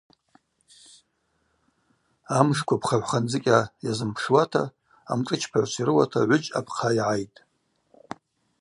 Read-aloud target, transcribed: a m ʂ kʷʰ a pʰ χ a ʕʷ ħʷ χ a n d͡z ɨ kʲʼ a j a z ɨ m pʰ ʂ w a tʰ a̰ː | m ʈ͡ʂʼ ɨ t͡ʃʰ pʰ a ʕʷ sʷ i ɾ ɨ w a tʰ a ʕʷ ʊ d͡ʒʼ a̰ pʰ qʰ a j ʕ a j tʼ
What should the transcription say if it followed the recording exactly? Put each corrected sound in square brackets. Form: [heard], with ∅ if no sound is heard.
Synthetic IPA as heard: a m ʂ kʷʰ a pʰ χ a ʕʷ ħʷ χ a n d͡z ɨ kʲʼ a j a z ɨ m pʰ ʂ w a tʰ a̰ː | m ʈ͡ʂʼ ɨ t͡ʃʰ pʰ a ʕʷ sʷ i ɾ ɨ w a tʰ a ʕʷ ʊ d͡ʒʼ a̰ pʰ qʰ a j ʕ a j tʼ